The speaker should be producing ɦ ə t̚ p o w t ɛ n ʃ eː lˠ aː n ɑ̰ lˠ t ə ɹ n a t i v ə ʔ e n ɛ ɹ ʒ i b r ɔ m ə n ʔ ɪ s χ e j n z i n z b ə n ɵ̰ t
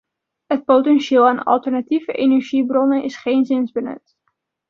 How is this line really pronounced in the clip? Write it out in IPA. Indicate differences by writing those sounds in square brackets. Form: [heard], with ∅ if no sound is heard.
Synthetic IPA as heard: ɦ ə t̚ p o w t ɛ n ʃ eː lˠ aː n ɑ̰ lˠ t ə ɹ n a t i v ə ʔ e n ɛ ɹ ʒ i b r ɔ [n] ə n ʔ ɪ s χ e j n z [ɪ] n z b ə n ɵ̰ t

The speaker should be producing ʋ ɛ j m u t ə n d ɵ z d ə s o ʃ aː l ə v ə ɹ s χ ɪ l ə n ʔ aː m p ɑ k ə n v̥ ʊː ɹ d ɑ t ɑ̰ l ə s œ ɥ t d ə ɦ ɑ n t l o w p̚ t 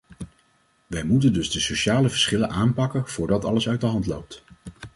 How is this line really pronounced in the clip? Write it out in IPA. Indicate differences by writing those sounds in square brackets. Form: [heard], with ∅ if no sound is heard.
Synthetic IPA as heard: ʋ ɛ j m u t ə n d ɵ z d ə s o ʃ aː l ə v ə ɹ s χ ɪ l ə n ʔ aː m p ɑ k ə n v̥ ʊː ɹ d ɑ t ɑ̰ l ə s œ ɥ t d ə ɦ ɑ n t l o w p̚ t

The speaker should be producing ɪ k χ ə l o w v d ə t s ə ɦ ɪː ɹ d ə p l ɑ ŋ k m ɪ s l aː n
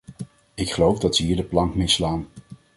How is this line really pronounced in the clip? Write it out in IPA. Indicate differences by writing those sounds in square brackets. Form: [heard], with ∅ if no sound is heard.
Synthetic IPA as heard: ɪ k χ ə l o w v d [ɑ] t s ə ɦ [iː] ɹ d ə p l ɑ ŋ k m ɪ s l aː n

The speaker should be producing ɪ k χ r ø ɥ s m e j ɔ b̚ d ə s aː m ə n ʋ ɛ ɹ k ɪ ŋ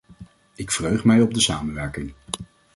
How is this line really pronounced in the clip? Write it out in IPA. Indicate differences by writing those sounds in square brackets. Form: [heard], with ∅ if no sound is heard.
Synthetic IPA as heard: ɪ k [f] r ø ɥ [χ] m [ɛ] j ɔ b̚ d ə s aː m ə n ʋ ɛ ɹ k ɪ ŋ

